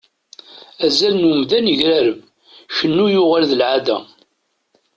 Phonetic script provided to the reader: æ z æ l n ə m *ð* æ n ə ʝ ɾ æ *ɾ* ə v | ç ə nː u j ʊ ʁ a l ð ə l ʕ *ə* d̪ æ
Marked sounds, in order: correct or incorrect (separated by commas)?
correct, correct, incorrect